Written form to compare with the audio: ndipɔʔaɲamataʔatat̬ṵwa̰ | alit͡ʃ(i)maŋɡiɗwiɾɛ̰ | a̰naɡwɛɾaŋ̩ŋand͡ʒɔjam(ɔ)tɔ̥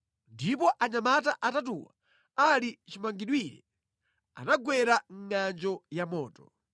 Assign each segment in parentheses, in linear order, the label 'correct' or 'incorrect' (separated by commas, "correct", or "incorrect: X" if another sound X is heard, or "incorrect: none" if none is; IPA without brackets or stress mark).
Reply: correct, incorrect: ɔː